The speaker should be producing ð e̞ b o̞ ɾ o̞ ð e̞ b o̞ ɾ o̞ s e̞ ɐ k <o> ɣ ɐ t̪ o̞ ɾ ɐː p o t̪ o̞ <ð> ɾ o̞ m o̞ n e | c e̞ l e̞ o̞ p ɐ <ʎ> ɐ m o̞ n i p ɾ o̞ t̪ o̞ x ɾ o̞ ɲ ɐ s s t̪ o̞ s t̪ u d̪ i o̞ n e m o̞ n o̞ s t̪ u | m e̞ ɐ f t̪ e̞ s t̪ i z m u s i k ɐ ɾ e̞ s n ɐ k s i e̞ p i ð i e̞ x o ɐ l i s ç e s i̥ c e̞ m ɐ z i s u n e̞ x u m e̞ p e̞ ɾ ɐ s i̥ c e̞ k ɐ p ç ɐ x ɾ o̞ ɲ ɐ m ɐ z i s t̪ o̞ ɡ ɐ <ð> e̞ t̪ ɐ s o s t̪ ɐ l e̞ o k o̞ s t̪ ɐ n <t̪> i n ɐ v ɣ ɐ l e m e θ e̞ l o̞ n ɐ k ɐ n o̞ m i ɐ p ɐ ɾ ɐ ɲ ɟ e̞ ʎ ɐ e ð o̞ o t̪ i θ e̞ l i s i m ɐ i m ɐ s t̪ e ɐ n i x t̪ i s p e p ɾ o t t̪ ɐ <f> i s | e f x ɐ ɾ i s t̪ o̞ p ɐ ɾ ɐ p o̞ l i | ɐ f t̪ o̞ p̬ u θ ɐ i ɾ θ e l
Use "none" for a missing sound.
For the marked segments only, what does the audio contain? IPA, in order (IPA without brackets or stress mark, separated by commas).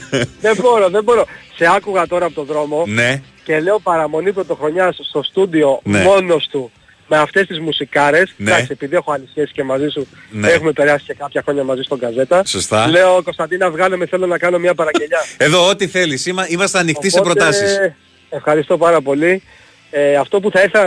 u, ð, ɾ, z, d̪, s